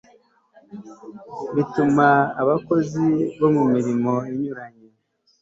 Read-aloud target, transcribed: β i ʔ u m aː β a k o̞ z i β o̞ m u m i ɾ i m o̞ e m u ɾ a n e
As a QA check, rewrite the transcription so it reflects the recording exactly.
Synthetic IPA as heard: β i t u m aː β a k o̞ z i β o̞ m u m i ɾ i m o̞ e ɲ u ɾ a ɲ e

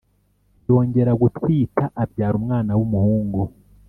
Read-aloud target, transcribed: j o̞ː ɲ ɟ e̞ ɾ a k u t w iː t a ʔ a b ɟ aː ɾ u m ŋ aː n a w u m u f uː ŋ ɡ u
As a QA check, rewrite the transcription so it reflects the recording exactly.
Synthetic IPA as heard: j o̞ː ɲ ɟ e̞ ɾ a ɡ u t w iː t a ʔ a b ɟ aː ɾ u m ŋ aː n a w u m u h uː ŋ ɡ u

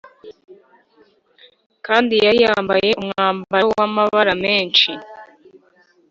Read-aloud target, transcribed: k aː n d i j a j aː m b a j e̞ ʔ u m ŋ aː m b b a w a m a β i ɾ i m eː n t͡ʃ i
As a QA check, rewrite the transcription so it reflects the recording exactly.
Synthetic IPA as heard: k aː n d i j a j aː m b a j e̞ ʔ u m ŋ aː m b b a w a m a β a ɾ a m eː n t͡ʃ i

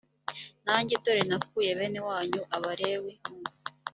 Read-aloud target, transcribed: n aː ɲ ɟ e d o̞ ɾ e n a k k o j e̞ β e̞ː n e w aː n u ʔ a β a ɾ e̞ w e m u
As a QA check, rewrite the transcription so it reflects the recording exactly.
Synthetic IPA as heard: n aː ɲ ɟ e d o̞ ɾ e n a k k u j e̞ β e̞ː n e w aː ɲ u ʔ a β a ɾ e̞ w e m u

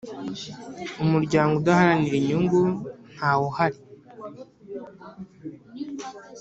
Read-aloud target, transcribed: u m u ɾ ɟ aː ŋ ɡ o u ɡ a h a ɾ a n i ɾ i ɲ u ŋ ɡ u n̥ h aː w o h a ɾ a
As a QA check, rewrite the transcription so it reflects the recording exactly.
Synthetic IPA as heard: u m u ɾ ɟ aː ŋ ɡ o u d a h a ɾ a n i ɾ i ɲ u ŋ ɡ u n̥ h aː w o h a ɾ i

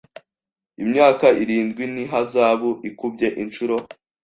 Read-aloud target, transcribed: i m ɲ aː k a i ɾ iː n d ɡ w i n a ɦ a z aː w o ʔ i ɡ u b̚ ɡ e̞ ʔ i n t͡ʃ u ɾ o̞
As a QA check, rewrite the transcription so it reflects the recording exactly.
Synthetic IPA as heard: i m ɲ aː k a i ɾ iː n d ɡ w i n i ɦ a z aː β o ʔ i k u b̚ ɟ e̞ ʔ i n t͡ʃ u ɾ o̞

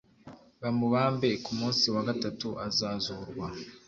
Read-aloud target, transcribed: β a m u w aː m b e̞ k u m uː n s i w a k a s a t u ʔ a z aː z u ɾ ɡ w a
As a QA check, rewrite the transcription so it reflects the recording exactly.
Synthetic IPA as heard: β a m u β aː m b e̞ k u m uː n s i w a ɡ a t a t u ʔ a z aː z u ɾ ɡ w a

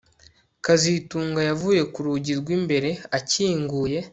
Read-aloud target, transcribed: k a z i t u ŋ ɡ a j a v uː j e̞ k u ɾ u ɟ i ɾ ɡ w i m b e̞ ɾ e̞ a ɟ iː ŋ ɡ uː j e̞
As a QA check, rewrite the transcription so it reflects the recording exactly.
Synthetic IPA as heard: k a z i t uː ŋ ɡ a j a v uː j e̞ k u ɾ u ɟ i ɾ ɡ w i m b e̞ ɾ e̞ a c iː ŋ ɡ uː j e̞

